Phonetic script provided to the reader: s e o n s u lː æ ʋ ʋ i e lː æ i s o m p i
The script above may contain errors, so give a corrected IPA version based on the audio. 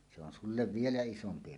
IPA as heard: s e o n s u lː e ʋ ʋ i e l æ i s o m p i

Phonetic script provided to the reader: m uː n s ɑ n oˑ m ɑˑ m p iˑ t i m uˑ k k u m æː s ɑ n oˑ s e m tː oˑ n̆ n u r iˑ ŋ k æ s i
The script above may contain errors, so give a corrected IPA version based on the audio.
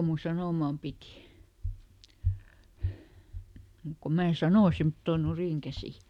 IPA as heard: m u n s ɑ n oˑ m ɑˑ m p iˑ t i m uˑ k k o m æː s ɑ n oˑ s e m tː oˑ n̆ n u r iˑ ŋ k æ s i

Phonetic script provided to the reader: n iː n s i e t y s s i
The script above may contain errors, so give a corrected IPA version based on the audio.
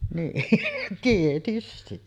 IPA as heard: n iː n t i e t y s t i

